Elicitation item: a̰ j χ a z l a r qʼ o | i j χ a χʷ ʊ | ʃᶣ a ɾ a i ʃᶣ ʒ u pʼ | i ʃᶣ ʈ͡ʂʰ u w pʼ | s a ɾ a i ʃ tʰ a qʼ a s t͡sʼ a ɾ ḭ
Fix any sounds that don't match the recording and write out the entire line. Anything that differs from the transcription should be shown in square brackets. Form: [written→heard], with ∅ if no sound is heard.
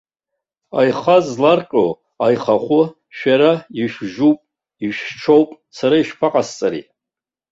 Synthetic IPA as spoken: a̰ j χ a z l a r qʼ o | [i→a] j χ a χʷ ʊ | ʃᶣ a ɾ a i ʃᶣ ʒ u pʼ | i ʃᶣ ʈ͡ʂʰ [u→o] w pʼ | s a ɾ a i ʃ [tʰ→pʰ] a qʼ a s t͡sʼ a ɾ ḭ